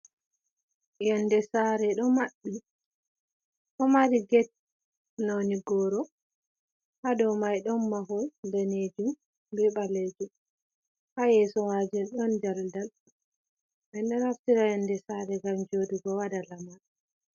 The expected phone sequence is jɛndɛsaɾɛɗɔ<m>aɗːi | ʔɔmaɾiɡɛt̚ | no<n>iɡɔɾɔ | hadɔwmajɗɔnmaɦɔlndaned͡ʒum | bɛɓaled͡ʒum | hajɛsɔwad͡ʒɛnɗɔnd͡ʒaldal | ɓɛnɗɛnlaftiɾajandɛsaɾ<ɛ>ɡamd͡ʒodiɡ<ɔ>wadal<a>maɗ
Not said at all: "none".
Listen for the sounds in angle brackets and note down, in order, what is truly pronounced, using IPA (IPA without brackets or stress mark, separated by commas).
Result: m, n, ɛ, ɔ, a